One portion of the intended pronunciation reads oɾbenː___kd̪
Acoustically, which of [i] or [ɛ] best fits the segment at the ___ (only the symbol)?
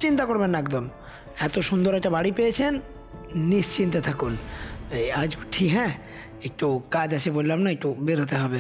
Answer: ɛ